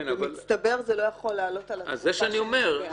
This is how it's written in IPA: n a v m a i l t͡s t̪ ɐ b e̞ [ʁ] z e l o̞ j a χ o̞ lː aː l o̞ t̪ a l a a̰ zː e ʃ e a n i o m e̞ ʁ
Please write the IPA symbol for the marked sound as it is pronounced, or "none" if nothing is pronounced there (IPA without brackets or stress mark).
ʁ